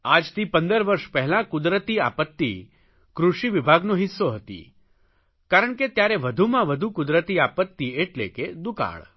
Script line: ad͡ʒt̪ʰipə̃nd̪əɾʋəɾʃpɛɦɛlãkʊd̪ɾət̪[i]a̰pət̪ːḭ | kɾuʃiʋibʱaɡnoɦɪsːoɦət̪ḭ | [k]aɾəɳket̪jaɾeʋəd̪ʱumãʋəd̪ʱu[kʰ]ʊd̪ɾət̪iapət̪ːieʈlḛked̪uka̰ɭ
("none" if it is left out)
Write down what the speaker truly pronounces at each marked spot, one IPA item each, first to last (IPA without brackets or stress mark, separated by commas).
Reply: i, k, k